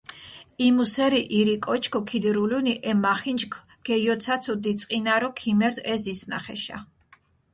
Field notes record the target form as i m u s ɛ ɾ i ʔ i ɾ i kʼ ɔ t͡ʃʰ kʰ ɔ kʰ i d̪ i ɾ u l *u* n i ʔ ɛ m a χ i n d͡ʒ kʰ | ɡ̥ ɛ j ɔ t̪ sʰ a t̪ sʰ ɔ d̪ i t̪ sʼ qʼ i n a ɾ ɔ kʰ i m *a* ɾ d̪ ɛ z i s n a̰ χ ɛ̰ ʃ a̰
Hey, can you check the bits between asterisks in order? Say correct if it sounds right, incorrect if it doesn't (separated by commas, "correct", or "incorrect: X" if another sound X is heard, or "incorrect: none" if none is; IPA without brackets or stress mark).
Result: correct, incorrect: ɛ